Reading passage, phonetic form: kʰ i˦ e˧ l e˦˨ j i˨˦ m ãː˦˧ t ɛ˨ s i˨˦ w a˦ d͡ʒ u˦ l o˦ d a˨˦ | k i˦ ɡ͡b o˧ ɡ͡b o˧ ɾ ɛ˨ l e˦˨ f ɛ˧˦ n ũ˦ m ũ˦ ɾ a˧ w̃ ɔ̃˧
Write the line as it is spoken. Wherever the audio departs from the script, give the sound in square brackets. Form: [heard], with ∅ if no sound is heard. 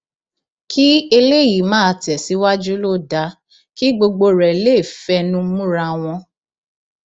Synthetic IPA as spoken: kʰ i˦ e˧ l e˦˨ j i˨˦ m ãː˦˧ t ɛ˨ s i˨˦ w a˦ d͡ʒ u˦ l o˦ d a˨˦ | k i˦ ɡ͡b o˧ ɡ͡b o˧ ɾ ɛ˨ l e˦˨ f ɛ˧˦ n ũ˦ m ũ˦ ɾ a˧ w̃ ɔ̃˧